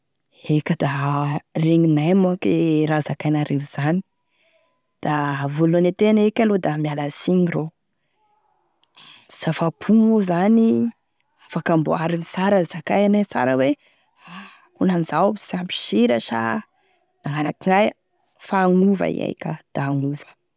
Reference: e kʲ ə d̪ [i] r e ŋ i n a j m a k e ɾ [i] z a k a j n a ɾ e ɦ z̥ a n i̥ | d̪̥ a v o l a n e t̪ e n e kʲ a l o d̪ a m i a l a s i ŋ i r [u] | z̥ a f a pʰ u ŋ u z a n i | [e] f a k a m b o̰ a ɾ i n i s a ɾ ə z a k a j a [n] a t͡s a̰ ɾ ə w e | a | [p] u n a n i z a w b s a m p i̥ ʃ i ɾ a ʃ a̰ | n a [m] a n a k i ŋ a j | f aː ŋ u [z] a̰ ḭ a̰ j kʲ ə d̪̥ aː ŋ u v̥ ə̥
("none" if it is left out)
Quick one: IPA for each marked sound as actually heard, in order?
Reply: a, a, o, a, n, k, ŋ, v

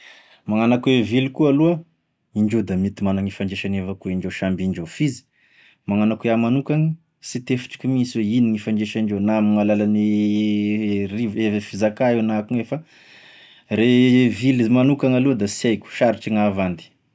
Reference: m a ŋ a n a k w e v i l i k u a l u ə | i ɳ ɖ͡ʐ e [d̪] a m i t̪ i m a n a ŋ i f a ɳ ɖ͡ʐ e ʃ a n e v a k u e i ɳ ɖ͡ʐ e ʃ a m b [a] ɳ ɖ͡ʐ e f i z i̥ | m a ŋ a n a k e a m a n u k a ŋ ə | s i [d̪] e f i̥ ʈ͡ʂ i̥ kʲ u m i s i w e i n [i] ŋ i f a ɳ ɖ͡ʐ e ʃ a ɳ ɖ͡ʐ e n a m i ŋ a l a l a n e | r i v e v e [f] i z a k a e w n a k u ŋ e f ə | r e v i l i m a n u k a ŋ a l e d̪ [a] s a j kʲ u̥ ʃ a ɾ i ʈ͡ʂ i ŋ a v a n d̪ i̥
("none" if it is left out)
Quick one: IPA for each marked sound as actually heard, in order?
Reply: d̪, i, t̪, i, f, a

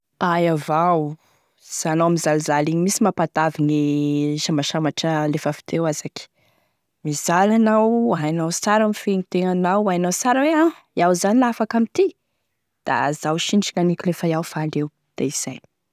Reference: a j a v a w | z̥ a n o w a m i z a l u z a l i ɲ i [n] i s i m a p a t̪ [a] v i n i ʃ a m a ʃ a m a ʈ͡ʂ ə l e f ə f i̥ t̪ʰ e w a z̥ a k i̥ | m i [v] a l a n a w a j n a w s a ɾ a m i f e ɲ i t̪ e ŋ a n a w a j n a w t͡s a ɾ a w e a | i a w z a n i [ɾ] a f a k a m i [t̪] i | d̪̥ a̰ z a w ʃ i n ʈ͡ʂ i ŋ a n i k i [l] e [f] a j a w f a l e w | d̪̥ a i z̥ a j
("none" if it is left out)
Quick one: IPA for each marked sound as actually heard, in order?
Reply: m, a, z, l, t̪, l, f

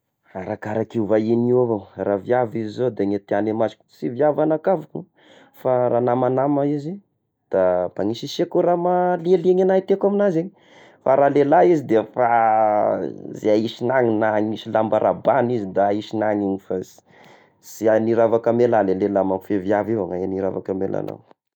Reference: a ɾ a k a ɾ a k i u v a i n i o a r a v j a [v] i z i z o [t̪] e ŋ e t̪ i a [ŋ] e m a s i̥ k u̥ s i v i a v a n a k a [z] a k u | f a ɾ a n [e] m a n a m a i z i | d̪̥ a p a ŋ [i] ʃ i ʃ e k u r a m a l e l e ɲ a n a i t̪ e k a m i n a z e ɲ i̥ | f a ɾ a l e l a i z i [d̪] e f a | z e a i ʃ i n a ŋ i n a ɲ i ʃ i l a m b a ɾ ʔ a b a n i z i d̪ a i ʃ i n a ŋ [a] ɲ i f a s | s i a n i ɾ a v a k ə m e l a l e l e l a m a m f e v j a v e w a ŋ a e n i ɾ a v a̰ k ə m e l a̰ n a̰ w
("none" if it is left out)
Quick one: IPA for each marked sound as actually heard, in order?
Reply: v, d̪, n, v, a, i, d̪, i

